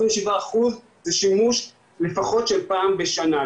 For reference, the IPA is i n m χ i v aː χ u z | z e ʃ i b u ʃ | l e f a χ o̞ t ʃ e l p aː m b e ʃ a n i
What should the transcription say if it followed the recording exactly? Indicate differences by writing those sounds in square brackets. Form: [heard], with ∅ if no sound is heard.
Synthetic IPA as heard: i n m [ʃ] i v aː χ u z | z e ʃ i [m] u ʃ | l e f a χ o̞ t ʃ e l p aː m b e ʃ a n [a]